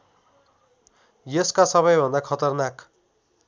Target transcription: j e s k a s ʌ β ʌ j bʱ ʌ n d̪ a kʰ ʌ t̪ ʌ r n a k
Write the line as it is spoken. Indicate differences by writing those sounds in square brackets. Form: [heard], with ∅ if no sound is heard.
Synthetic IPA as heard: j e s k a s ʌ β ʌ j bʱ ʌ n d̪ a kʰ ʌ t̪ ʌ r n a k